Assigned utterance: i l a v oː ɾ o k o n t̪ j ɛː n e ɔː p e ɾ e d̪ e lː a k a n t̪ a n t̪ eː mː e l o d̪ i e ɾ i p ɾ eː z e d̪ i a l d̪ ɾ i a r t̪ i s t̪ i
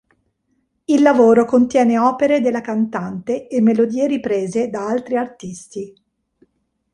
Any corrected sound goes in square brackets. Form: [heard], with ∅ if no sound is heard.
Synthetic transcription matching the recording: i [lː] a v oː ɾ o k o n t̪ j ɛː n e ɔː p e ɾ e d̪ e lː a k a n t̪ a n t̪ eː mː e l o d̪ [iː] e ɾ i p ɾ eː z e d̪ [a] a l [t̪] ɾ i a r t̪ i s t̪ i